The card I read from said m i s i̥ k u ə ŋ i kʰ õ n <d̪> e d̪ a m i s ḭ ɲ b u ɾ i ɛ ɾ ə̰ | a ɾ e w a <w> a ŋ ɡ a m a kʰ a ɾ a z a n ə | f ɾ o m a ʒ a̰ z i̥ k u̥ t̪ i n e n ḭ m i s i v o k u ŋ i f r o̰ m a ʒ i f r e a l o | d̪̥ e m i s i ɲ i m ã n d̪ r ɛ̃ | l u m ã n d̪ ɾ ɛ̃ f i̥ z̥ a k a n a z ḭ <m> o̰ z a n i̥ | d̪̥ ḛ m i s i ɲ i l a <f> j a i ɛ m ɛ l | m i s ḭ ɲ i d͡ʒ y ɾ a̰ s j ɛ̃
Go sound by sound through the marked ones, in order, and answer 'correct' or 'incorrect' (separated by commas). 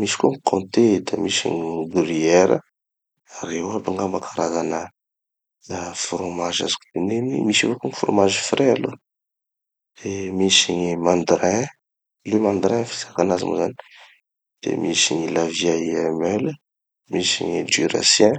incorrect, incorrect, correct, incorrect